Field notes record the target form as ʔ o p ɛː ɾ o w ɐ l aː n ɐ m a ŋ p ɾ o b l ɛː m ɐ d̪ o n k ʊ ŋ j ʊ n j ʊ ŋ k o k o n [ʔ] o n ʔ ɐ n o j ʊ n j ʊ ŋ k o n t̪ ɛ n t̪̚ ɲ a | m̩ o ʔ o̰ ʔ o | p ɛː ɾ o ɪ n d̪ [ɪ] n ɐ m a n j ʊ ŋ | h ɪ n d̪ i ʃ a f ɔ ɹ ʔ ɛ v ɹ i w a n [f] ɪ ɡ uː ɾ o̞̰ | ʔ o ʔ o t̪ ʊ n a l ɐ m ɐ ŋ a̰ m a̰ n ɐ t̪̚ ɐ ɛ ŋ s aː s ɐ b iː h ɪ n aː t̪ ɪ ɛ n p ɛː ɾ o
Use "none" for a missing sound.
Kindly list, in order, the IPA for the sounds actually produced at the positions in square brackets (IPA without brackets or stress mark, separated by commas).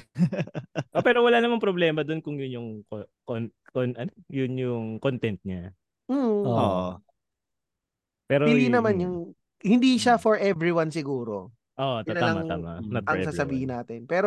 k, i, s